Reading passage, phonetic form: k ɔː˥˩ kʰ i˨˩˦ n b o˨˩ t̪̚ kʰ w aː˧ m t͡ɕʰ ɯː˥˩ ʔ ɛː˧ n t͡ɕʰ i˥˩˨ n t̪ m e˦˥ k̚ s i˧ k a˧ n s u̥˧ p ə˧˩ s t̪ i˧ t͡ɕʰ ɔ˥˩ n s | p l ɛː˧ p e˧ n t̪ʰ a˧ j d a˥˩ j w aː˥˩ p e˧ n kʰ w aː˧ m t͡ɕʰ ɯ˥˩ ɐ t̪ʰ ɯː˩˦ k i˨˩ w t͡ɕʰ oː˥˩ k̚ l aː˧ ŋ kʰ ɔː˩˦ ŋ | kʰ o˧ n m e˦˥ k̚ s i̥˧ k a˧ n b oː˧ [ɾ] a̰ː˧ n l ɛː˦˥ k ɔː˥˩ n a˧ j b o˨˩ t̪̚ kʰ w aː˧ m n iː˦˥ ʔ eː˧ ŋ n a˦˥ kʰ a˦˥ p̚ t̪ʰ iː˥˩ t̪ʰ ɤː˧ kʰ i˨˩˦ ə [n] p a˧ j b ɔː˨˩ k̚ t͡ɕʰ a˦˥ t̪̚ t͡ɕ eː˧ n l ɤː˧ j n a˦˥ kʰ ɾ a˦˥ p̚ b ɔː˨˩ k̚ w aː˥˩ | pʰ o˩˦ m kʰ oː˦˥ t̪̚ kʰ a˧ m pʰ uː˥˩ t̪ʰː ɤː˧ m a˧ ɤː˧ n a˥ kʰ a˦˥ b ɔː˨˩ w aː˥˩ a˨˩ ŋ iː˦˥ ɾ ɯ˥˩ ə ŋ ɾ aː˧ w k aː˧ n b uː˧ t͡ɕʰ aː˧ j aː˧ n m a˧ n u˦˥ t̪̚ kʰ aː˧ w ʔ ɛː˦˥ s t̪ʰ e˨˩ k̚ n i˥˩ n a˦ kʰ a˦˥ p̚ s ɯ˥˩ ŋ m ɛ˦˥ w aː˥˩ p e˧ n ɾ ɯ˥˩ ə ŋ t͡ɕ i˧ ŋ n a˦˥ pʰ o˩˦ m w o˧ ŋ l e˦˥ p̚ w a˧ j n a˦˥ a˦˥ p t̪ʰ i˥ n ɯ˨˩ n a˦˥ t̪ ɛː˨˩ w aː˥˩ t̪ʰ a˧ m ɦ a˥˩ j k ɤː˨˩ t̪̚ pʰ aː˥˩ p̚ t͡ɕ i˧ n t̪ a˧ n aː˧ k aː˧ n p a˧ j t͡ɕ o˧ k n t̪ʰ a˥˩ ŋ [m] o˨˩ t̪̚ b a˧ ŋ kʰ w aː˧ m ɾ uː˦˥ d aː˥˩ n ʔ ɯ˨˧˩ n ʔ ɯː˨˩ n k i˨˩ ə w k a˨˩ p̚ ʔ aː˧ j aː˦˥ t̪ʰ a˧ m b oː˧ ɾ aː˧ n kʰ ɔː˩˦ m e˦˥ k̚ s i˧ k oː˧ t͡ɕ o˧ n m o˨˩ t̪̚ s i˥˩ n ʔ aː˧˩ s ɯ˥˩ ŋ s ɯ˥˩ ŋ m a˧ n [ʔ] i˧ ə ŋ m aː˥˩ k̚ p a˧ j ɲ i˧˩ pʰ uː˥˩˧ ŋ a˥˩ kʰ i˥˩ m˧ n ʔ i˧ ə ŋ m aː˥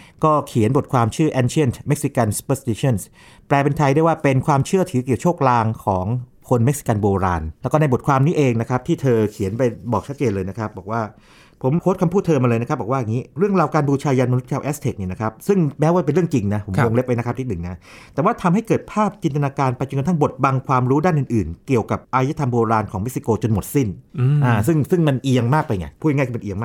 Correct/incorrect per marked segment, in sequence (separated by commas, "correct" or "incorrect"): correct, correct, incorrect, correct